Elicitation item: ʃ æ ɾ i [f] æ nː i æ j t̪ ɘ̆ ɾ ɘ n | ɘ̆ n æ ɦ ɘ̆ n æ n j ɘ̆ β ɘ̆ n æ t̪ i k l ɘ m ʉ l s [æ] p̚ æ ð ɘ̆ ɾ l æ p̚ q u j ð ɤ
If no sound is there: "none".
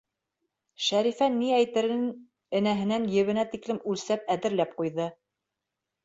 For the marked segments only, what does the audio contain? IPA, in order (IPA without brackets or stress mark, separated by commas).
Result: f, æ